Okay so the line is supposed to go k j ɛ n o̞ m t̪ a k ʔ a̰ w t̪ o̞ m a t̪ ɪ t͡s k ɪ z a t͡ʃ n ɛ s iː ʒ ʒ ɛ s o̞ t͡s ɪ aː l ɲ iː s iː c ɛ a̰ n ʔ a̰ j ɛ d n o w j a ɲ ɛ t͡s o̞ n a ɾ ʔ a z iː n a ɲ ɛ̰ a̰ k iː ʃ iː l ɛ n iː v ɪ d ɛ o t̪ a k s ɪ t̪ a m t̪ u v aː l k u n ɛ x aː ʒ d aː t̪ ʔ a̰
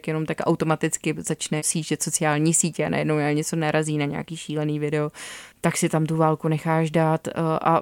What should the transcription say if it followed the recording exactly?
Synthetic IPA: k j ɛ n o̞ m t̪ a k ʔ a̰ w t̪ o̞ m a t̪ ɪ t͡s k ɪ z a t͡ʃ n ɛ s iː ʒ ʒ ɛ s o̞ t͡s ɪ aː l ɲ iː s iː c ɛ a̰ n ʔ a̰ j ɛ d n o w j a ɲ ɛ t͡s o̞ n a ɾ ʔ a z iː n a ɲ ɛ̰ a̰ k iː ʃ iː l ɛ n iː v ɪ d ɛ o t̪ a k s ɪ t̪ a m t̪ u v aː l k u n ɛ x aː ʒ d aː t̪ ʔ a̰